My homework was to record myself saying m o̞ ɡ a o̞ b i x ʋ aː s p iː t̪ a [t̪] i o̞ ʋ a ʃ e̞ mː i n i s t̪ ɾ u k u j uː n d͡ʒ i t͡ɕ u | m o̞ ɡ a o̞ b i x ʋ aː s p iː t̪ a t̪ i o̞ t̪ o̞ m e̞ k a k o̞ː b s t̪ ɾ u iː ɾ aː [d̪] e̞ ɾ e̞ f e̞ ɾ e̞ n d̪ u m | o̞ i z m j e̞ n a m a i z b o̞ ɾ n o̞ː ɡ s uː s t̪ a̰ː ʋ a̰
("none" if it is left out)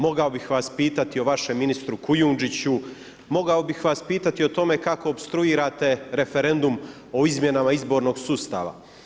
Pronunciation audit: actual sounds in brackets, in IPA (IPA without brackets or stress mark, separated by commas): t̪, t̪